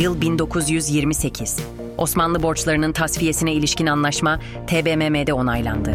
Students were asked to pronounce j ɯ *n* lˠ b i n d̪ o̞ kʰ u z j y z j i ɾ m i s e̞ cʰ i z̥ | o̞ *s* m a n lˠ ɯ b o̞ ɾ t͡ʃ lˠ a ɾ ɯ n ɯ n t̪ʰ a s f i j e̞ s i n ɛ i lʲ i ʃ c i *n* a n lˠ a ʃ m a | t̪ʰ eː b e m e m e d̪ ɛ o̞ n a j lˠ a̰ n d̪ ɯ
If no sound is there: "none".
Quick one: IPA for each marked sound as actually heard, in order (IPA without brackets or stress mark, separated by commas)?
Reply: none, s, n